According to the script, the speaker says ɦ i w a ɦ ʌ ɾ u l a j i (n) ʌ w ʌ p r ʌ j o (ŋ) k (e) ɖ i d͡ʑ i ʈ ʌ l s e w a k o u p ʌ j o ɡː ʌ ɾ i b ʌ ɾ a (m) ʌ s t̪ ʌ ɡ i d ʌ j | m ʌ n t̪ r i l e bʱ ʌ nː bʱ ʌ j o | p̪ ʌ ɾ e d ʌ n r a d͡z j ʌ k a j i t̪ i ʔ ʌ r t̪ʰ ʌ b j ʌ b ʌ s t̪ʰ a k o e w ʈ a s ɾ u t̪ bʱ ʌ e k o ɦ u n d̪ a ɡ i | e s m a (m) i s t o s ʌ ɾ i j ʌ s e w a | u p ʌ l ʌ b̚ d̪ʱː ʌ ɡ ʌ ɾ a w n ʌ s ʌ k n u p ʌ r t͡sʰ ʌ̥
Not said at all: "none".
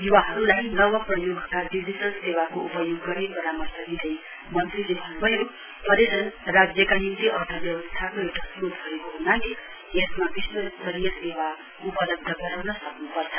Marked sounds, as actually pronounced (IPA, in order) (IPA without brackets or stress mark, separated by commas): n, ɡ, a, m, b